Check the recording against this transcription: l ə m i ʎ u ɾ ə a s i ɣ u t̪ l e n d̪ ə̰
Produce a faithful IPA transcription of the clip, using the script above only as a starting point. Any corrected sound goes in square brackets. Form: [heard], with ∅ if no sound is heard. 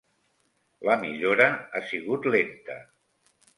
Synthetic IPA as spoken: l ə m i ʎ [o] ɾ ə a s i ɣ u t̪ l e n [t̪] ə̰